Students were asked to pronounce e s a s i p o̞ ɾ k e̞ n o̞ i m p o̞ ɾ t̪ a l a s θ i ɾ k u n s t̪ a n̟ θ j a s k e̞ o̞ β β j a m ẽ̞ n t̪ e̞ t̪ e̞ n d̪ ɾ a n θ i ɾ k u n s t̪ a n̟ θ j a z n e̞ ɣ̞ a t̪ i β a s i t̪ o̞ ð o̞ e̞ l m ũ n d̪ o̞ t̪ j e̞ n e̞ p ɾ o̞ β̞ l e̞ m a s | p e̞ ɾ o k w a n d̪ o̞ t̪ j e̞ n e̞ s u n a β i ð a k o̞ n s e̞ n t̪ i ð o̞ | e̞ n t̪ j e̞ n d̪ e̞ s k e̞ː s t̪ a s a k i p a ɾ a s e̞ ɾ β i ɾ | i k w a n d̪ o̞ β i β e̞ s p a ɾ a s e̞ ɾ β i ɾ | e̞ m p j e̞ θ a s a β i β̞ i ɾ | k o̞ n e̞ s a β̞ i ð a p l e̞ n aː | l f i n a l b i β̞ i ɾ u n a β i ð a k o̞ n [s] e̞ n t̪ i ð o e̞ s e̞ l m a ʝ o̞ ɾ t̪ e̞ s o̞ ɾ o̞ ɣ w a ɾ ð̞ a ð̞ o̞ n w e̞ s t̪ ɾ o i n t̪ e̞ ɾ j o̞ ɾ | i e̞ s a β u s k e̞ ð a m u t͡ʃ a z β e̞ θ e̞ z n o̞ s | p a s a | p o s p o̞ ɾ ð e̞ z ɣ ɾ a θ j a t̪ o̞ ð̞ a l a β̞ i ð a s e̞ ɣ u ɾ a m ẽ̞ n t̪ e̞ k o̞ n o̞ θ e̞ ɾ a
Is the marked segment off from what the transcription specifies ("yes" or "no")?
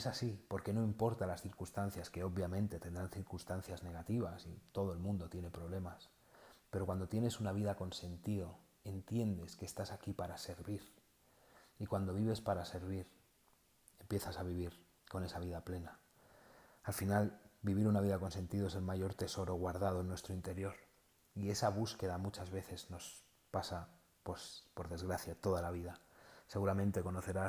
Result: no